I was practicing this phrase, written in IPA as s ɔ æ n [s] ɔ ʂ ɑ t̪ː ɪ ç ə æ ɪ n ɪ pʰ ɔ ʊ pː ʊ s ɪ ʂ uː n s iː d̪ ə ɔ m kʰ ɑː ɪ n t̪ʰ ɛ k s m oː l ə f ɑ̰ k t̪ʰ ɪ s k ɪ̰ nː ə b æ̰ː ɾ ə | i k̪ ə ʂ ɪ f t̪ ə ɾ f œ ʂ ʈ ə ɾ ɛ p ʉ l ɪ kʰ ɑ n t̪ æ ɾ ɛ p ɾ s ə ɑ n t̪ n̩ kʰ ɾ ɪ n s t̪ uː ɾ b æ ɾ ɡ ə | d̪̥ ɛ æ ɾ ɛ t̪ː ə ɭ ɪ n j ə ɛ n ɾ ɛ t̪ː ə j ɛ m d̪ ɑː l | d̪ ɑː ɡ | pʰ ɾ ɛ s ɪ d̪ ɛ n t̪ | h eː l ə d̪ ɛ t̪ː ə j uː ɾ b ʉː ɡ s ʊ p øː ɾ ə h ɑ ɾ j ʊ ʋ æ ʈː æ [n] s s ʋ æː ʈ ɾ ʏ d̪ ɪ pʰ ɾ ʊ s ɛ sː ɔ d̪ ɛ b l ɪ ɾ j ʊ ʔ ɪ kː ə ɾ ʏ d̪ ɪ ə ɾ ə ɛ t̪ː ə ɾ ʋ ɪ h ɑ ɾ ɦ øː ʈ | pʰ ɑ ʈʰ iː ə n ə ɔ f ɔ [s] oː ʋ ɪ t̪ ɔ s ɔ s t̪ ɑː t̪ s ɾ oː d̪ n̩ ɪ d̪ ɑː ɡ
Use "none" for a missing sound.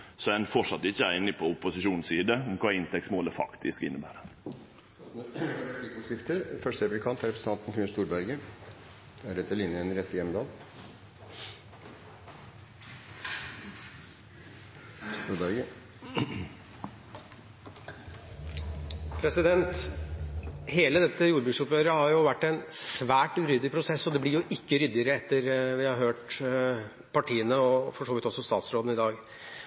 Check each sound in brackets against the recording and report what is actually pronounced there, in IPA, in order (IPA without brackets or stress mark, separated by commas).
f, n, ʂ